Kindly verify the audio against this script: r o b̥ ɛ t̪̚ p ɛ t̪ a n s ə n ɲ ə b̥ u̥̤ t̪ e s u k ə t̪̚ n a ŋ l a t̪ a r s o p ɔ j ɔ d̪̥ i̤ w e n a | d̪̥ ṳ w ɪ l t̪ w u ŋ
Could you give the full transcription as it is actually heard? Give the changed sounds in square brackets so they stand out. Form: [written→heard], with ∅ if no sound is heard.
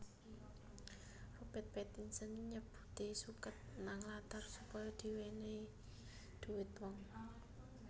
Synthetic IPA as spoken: r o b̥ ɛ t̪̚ p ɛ t̪ [a→i] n s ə n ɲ ə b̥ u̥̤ t̪ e s u k ə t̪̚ n a ŋ l a t̪ a r s [o→u] p ɔ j ɔ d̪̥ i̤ w e n [a→e] | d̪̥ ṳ w ɪ [l→∅] t̪ w [u→ɔ] ŋ